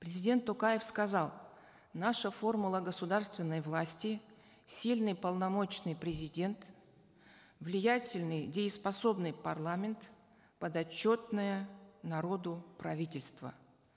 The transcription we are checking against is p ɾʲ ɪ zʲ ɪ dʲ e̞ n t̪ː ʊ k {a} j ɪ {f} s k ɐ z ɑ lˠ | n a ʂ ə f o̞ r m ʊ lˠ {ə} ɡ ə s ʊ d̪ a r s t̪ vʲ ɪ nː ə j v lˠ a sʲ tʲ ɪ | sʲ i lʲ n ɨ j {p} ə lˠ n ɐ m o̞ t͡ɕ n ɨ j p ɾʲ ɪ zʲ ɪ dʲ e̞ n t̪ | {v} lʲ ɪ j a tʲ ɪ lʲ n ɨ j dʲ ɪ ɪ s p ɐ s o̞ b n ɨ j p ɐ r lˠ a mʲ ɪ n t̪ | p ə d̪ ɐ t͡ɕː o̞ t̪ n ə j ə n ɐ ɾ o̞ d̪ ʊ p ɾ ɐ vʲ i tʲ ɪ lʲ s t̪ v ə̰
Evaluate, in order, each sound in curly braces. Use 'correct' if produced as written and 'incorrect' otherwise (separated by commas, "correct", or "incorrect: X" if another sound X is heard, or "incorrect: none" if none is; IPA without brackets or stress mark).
correct, correct, correct, correct, correct